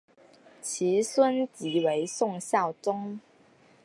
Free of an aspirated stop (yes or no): no